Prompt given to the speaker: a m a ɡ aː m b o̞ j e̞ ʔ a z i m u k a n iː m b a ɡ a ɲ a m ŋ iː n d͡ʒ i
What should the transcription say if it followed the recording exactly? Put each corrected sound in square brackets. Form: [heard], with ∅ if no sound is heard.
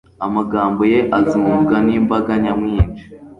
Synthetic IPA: a m a ɡ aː m b o̞ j e̞ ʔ a z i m u [ɡ] a n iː m b a ɡ a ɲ a m ŋ iː n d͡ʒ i